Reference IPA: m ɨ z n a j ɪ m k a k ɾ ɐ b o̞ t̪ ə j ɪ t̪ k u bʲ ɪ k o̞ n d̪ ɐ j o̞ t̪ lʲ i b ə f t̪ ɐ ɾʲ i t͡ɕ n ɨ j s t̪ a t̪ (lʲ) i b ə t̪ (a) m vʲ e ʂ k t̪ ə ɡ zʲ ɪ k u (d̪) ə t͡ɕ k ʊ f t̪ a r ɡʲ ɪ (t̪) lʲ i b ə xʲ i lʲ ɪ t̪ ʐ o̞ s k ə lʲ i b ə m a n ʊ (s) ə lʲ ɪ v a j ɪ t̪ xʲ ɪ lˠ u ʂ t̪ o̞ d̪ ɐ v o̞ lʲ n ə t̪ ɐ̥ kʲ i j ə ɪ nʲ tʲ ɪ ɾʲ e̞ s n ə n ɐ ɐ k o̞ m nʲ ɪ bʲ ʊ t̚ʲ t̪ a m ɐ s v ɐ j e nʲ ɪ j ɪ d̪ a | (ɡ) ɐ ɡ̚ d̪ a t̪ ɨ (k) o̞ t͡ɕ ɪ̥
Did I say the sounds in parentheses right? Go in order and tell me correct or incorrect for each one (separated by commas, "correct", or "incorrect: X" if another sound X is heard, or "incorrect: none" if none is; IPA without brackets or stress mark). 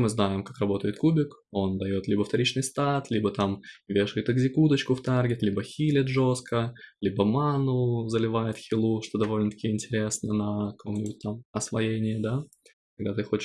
correct, correct, correct, correct, incorrect: z, incorrect: k, incorrect: x